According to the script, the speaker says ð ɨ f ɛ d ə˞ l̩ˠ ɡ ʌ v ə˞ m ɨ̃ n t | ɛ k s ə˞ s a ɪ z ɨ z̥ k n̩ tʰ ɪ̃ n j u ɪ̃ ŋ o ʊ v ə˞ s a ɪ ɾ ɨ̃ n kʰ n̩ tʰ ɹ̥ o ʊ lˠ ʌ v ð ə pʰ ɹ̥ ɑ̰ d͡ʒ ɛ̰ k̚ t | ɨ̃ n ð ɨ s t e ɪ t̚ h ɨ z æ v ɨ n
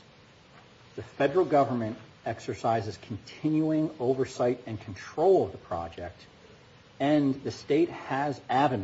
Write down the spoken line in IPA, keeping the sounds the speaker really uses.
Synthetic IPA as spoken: ð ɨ f ɛ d ə˞ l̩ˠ ɡ ʌ v ə˞ m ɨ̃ n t | ɛ k s ə˞ s a ɪ z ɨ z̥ kʰ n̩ tʰ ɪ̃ n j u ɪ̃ ŋ o ʊ v ə˞ s a ɪ ɾ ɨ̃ n kʰ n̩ tʰ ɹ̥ o ʊ lˠ ʌ v ð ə pʰ ɹ̥ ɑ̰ d͡ʒ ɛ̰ k̚ t | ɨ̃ n ð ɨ s t e ɪ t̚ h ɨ z æ v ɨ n